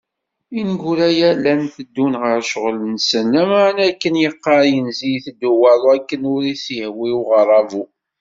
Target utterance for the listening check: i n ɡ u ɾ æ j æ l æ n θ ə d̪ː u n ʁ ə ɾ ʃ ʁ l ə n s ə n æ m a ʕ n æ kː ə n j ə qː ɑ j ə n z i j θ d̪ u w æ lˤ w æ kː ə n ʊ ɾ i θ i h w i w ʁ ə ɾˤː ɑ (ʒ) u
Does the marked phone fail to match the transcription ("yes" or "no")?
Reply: yes